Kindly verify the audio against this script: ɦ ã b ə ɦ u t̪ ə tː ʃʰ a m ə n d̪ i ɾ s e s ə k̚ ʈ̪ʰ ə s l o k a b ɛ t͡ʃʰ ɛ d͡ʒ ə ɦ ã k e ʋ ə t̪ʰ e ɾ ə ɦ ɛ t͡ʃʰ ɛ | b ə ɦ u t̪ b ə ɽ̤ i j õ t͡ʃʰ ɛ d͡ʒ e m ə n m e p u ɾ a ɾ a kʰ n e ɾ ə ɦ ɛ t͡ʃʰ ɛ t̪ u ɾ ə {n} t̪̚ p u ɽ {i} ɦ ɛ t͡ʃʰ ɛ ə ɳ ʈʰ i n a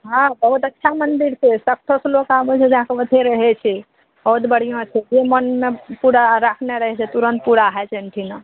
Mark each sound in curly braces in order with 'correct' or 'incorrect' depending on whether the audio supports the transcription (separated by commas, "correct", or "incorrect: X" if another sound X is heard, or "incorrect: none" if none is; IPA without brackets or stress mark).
correct, incorrect: a